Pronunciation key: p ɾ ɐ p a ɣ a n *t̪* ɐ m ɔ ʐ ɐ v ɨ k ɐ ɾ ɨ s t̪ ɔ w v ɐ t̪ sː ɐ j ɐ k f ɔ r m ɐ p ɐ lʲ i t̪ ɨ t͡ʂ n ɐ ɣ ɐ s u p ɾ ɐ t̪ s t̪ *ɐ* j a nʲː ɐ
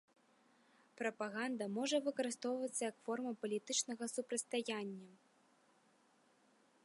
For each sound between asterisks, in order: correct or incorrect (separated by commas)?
incorrect, incorrect